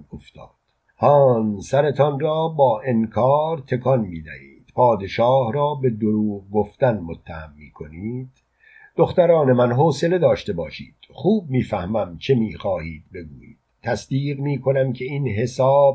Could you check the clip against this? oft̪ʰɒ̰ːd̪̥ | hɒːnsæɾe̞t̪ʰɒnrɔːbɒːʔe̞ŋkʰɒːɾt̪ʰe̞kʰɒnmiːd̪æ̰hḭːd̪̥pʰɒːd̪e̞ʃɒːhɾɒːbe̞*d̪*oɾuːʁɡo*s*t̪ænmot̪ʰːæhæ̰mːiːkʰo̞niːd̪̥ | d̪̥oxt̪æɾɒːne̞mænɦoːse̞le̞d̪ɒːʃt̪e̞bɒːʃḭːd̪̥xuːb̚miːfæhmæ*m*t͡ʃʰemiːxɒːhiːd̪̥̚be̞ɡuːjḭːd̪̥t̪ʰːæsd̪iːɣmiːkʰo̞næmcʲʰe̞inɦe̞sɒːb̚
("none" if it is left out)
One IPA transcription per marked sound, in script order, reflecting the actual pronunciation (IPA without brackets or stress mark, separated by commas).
d̪, f, m